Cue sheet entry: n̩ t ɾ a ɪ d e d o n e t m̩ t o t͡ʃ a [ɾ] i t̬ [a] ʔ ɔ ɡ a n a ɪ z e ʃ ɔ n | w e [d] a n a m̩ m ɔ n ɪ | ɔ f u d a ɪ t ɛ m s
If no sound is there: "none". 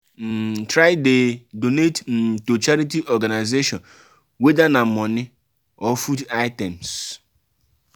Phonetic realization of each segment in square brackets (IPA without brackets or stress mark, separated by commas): ɾ, i, d